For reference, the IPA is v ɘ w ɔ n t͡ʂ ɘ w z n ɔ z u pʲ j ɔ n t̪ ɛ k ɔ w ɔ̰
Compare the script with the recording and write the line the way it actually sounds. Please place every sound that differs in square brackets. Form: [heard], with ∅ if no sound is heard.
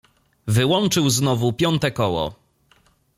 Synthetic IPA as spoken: v ɘ w ɔ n t͡ʂ ɘ w z n ɔ [v] u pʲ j ɔ n t̪ ɛ k ɔ w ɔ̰

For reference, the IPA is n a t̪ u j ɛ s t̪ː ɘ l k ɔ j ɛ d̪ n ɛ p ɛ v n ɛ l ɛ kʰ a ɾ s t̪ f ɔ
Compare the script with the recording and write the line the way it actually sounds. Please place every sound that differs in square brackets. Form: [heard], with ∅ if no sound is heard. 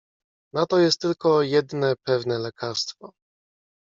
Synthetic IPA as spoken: n a t̪ [ɔ] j ɛ s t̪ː ɘ l k ɔ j ɛ d̪ n ɛ p ɛ v n ɛ l ɛ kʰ a ɾ s t̪ f ɔ

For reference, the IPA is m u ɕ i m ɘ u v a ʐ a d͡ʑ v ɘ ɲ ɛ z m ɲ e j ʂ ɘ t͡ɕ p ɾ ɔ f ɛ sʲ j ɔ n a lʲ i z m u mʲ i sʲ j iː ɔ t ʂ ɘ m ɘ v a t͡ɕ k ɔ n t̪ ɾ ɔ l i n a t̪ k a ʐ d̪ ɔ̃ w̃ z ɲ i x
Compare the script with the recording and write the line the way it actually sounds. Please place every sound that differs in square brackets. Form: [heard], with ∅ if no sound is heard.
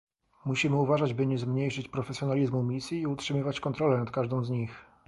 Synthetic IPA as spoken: m u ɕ i m ɘ u v a ʐ a d͡ʑ [b] ɘ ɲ ɛ z m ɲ e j ʂ ɘ t͡ɕ p ɾ ɔ f ɛ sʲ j ɔ n a lʲ i z m u mʲ i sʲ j iː [u] t ʂ ɘ m ɘ v a t͡ɕ k ɔ n t̪ ɾ ɔ l [ɛ] n a t̪ k a ʐ d̪ ɔ̃ w̃ z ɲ i x

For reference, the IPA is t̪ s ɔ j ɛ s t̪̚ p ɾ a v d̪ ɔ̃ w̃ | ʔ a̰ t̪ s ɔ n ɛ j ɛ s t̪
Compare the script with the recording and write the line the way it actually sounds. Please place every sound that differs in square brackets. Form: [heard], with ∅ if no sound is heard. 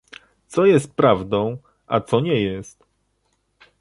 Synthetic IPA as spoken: t̪ s ɔ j ɛ s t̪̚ p ɾ a v d̪ ɔ̃ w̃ | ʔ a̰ t̪ s ɔ [ɲ] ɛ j ɛ s t̪

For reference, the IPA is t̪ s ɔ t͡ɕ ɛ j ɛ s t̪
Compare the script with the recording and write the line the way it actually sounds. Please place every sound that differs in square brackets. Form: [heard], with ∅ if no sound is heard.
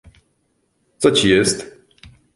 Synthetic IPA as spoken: t̪ s ɔ t͡ɕ [i] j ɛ s t̪

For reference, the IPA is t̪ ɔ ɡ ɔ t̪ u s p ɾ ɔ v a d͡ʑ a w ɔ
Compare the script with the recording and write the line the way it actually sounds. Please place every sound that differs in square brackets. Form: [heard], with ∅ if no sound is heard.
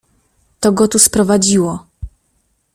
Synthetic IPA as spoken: t̪ ɔ ɡ ɔ t̪ u s p ɾ ɔ v a d͡ʑ [i] w ɔ

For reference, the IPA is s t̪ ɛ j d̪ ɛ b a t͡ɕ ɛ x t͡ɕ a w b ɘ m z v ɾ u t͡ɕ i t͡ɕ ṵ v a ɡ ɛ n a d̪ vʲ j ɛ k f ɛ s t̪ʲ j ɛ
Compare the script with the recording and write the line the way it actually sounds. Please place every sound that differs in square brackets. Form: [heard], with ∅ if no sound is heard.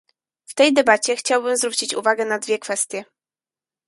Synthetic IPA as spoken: [f] t̪ ɛ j d̪ ɛ b a t͡ɕ ɛ x t͡ɕ a w b ɘ m z v ɾ u t͡ɕ i t͡ɕ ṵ v a ɡ ɛ n a d̪ vʲ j ɛ k f ɛ s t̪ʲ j ɛ

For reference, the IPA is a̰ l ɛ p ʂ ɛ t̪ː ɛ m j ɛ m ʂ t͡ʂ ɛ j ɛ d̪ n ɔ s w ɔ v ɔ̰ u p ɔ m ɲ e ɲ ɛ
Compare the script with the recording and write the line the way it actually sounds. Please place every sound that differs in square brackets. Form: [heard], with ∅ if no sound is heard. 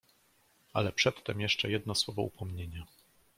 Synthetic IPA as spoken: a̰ l ɛ p ʂ ɛ t̪ː ɛ m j ɛ [∅] ʂ t͡ʂ ɛ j ɛ d̪ n ɔ s w ɔ v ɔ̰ u p ɔ m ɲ e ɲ [a]

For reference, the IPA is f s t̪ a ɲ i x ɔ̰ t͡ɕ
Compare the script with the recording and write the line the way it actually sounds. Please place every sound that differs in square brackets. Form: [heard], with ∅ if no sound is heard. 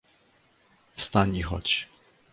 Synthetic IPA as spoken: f s t̪ a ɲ i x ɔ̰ t͡ɕ

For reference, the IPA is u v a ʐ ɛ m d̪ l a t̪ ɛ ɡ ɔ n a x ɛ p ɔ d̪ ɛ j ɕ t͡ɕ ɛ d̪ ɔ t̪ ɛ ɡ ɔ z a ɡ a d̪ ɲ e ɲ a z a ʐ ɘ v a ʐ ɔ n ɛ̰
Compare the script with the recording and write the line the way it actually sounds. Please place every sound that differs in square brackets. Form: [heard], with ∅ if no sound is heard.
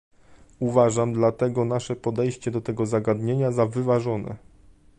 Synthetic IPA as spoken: u v a ʐ [a] m d̪ l a t̪ ɛ ɡ ɔ n a [ʂ] ɛ p ɔ d̪ ɛ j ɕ t͡ɕ ɛ d̪ ɔ t̪ ɛ ɡ ɔ z a ɡ a d̪ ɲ e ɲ a z a [v] ɘ v a ʐ ɔ n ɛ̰

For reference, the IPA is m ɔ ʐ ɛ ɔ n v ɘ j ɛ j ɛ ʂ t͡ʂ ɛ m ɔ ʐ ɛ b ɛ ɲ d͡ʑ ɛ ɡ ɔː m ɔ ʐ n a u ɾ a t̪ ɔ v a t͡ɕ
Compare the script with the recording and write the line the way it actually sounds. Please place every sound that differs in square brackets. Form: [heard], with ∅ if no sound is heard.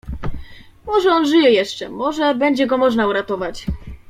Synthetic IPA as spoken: m ɔ ʐ ɛ ɔ n [ʐ] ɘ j ɛ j ɛ ʂ t͡ʂ ɛ m ɔ ʐ ɛ b ɛ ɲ d͡ʑ ɛ ɡ [ɔ] m ɔ ʐ n a u ɾ a t̪ ɔ v a t͡ɕ

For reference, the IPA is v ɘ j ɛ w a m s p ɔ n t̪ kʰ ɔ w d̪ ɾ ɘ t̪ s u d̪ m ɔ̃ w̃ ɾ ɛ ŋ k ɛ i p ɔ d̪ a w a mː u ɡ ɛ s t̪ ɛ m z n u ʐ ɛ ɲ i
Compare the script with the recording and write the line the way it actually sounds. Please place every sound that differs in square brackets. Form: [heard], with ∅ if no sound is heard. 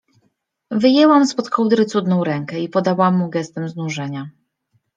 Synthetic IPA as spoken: v ɘ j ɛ w a m s p ɔ [∅] t̪ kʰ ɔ w d̪ ɾ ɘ t̪ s u d̪ [n] ɔ̃ w̃ ɾ ɛ ŋ k ɛ i p ɔ d̪ a w a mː u ɡ ɛ s t̪ ɛ m z n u ʐ ɛ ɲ [a]

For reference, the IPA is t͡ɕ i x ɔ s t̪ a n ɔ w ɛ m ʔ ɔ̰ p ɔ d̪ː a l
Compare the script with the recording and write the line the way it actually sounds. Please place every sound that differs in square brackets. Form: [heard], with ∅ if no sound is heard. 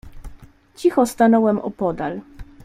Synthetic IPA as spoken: t͡ɕ i x ɔ s t̪ a n ɔ w ɛ m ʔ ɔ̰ p ɔ [d̪] a l

